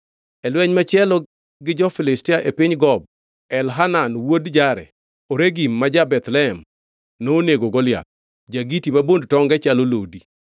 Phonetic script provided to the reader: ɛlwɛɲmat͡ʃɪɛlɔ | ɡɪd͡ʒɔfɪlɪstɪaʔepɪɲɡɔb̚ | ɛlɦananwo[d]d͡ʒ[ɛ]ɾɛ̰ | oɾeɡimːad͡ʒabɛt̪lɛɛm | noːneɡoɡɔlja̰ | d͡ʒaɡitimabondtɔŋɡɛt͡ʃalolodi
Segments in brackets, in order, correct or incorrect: correct, incorrect

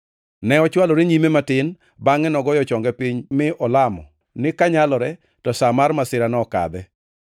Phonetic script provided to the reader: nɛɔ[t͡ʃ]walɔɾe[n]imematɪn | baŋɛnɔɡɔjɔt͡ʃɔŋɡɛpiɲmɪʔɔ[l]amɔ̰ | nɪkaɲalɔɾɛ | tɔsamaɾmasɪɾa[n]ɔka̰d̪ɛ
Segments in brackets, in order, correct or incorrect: correct, incorrect, correct, correct

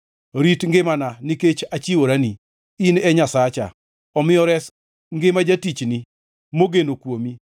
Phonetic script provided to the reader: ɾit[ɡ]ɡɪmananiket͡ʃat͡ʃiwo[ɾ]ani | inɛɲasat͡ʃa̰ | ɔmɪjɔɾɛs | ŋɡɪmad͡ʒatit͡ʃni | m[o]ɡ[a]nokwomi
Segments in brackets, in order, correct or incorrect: incorrect, correct, correct, incorrect

